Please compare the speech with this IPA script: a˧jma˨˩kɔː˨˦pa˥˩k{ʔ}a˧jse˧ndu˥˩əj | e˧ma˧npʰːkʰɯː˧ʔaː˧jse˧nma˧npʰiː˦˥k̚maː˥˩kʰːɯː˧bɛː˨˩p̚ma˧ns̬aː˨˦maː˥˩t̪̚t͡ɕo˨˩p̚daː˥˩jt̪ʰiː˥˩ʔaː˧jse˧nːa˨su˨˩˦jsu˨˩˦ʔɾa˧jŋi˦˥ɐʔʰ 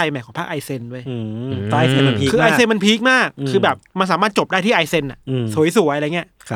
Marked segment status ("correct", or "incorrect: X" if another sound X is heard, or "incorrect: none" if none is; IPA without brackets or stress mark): correct